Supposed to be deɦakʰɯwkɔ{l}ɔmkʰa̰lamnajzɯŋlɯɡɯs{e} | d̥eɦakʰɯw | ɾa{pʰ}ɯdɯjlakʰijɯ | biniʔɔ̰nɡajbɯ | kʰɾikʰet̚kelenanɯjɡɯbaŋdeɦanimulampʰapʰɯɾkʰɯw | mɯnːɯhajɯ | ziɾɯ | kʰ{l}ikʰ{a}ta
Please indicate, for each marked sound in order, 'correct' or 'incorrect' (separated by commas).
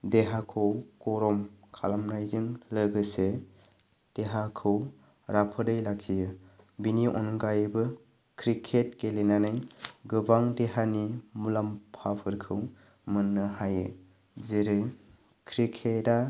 incorrect, correct, correct, incorrect, incorrect